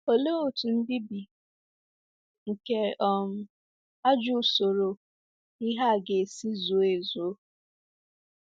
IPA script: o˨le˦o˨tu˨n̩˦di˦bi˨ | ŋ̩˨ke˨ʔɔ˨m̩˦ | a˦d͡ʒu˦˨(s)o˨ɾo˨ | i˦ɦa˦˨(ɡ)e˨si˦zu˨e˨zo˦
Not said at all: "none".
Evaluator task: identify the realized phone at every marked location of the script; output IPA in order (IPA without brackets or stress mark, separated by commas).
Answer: s, ɡ